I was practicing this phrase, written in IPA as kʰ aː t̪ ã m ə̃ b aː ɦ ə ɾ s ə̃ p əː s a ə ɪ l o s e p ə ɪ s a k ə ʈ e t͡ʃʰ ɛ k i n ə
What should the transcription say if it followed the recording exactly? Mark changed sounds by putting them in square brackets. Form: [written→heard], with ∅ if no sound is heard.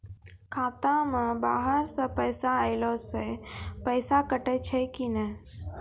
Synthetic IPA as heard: kʰ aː t̪ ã m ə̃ b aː ɦ ə ɾ s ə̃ p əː s a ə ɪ l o s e p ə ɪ s a k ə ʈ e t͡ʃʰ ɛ k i n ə